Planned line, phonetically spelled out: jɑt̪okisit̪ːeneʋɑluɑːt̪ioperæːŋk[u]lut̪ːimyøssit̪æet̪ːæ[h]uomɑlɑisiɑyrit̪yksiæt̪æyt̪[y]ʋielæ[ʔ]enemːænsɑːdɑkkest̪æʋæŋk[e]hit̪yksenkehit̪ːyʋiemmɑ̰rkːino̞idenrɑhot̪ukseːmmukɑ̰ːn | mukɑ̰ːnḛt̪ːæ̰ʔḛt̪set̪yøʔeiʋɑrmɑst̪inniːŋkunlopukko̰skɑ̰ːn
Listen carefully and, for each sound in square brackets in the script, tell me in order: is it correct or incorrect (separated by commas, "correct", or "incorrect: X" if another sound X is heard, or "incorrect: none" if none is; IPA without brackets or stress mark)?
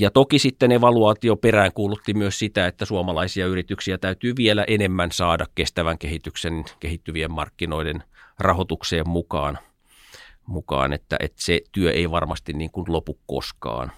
incorrect: uː, incorrect: s, incorrect: yː, correct, correct